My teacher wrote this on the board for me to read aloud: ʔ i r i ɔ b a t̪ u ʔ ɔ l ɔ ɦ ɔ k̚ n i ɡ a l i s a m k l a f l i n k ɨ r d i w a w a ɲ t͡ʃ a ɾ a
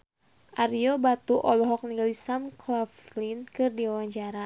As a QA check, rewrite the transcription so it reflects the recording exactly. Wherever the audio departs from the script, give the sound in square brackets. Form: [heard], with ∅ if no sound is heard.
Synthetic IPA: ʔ [a] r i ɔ b a t̪ u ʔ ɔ l ɔ ɦ ɔ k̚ n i ɡ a l i s a m k l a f l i n k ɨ r d i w a w a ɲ t͡ʃ a ɾ a